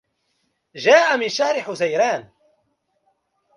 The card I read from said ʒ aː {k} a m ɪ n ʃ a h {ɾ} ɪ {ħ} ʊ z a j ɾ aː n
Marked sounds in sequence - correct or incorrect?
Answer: incorrect: ʔ, correct, correct

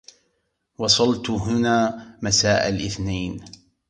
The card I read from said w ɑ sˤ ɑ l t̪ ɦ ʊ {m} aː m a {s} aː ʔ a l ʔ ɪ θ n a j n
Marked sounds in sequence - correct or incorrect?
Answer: incorrect: n, correct

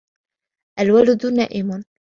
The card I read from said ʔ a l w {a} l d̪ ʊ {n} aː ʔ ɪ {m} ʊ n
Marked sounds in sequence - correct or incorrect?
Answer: correct, correct, correct

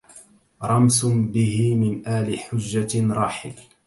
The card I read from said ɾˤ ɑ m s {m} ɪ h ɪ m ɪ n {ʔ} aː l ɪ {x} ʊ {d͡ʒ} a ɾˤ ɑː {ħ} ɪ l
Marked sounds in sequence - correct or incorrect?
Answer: incorrect: b, correct, incorrect: ħ, incorrect: d͡ʒː, correct

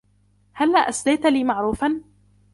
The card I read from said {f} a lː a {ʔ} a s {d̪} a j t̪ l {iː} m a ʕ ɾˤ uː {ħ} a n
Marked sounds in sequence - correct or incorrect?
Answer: incorrect: h, correct, correct, correct, incorrect: f

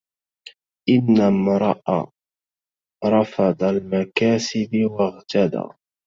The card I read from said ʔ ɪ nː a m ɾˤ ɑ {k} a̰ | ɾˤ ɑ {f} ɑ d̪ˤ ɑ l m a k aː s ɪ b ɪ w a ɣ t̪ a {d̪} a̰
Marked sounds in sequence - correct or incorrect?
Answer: incorrect: ʔ, correct, correct

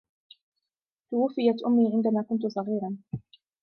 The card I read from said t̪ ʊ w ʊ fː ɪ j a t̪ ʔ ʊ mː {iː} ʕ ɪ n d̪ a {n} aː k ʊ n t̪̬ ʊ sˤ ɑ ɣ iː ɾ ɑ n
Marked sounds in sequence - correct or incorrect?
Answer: correct, incorrect: m

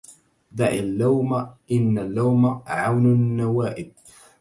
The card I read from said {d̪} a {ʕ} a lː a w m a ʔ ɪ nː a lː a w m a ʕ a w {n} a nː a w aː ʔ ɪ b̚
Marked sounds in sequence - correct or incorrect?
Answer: correct, correct, correct

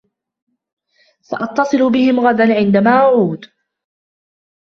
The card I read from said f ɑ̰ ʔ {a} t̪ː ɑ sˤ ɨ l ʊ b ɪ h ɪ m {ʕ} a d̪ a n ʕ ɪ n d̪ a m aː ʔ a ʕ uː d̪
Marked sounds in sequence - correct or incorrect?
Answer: incorrect: ɑ, incorrect: ɣ

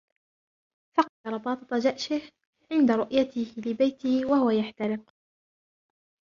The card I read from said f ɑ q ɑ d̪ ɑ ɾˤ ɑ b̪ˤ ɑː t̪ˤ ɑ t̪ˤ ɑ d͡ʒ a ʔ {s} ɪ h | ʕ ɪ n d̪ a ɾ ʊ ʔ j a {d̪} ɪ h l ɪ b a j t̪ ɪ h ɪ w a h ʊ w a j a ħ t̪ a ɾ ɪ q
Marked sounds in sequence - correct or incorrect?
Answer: incorrect: ʃ, incorrect: t̪

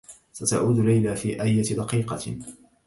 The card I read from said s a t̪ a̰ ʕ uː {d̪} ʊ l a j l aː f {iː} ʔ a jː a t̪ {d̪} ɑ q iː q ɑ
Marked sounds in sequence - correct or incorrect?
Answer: correct, correct, correct

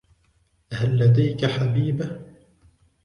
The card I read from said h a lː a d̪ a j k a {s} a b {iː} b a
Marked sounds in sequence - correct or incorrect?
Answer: incorrect: ħ, correct

